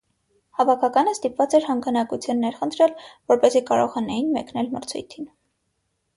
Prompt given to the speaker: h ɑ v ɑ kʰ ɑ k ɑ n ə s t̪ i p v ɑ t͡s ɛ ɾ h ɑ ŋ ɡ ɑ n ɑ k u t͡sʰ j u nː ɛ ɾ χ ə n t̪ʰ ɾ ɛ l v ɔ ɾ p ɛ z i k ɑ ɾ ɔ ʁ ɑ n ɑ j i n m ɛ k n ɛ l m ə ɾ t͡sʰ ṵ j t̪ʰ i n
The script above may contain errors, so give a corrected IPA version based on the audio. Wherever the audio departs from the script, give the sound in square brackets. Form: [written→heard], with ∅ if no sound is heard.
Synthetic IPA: h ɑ v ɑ kʰ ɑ k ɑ n ə s t̪ i p v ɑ t͡s ɛ ɾ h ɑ ŋ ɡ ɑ n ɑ k u t͡sʰ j u nː ɛ ɾ χ ə n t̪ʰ ɾ ɛ l v ɔ ɾ p ɛ z i k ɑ ɾ ɔ ʁ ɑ n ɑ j i n m ɛ k n ɛ l m ə ɾ t͡sʰ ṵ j t̪ʰ i n